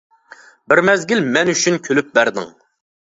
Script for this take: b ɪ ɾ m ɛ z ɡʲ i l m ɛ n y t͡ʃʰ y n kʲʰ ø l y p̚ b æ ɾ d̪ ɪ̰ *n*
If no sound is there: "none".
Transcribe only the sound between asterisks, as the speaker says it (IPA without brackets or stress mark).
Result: ŋ